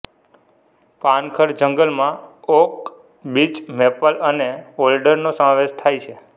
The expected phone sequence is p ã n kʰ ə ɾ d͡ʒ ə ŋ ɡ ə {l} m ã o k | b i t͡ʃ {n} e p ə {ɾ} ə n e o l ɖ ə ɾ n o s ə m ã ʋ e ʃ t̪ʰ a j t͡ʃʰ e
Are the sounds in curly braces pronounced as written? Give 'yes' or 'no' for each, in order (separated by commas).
yes, no, no